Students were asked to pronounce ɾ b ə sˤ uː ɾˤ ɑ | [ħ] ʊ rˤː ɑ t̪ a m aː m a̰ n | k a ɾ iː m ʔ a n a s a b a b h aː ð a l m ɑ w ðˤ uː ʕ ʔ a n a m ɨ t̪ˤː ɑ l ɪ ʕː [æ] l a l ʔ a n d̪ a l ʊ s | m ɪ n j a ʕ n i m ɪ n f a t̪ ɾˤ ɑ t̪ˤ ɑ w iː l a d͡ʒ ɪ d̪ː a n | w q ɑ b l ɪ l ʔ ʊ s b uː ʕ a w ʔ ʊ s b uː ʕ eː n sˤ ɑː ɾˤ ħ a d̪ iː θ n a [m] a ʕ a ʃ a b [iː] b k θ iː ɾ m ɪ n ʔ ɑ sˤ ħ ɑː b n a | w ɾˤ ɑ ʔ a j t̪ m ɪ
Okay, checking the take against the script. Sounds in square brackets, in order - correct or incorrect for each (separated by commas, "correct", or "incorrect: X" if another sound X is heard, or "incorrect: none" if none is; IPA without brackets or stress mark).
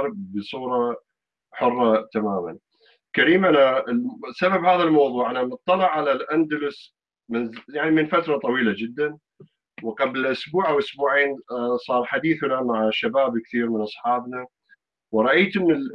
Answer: correct, incorrect: a, correct, incorrect: aː